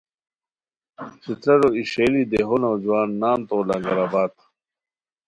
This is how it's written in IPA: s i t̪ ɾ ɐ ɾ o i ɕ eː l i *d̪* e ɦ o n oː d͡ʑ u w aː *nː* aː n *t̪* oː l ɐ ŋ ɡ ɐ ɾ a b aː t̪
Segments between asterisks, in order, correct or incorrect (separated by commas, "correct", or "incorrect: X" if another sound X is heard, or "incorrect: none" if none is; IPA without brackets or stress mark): correct, correct, correct